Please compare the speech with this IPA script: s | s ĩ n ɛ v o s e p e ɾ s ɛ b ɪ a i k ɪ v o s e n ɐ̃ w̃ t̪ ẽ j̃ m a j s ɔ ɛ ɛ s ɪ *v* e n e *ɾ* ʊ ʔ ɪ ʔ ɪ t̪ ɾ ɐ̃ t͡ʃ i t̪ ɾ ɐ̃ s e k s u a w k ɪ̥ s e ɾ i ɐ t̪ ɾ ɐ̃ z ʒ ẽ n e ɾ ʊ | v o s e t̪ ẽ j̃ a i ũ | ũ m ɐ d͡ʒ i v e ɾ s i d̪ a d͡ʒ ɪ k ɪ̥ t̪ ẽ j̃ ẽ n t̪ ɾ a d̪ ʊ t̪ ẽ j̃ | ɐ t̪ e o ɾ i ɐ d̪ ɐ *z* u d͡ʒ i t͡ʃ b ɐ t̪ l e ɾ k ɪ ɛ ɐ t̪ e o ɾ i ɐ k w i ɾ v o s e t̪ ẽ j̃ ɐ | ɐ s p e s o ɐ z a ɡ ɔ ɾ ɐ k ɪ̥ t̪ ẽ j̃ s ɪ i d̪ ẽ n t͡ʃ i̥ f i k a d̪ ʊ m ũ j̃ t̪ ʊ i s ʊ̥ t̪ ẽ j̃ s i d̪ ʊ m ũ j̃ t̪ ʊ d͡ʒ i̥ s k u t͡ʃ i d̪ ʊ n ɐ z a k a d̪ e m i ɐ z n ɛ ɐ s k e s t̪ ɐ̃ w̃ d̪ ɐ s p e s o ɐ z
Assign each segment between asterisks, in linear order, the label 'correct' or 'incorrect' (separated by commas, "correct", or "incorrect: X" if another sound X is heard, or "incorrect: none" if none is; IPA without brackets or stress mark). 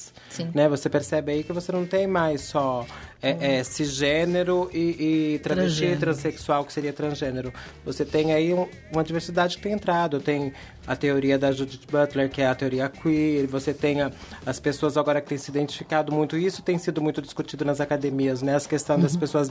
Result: incorrect: ʒ, correct, incorrect: ʒ